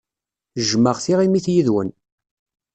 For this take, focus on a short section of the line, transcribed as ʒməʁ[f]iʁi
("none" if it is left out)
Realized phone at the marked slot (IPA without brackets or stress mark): θ